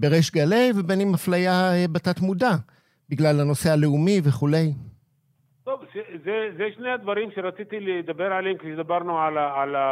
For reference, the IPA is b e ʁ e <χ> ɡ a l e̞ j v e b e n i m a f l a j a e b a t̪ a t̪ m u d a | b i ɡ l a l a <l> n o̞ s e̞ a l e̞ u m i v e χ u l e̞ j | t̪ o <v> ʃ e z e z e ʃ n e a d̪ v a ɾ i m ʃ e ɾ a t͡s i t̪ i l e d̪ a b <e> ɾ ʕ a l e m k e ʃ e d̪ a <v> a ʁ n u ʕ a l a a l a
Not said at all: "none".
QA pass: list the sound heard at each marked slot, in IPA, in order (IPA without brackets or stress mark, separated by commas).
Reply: ʃ, none, v, e, b